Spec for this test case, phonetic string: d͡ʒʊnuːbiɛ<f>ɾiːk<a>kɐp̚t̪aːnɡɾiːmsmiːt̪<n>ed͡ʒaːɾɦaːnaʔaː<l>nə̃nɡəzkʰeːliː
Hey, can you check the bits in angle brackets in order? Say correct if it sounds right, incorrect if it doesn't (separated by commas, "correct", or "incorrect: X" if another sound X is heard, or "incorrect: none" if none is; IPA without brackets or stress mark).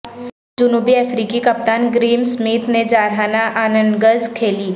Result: correct, incorrect: i, correct, incorrect: none